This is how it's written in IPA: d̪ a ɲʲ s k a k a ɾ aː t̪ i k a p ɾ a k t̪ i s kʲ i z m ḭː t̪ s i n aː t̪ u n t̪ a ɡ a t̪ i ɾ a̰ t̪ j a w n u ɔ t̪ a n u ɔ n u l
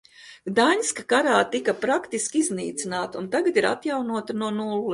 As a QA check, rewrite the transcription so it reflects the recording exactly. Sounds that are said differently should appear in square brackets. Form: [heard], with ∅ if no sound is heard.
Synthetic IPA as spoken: d̪ a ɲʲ s k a k a ɾ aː t̪ i k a p ɾ a k t̪ i s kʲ i z [n] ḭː t̪ s i n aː t̪ u n t̪ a ɡ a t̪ i ɾ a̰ t̪ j a w n u ɔ t̪ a n u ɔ n u l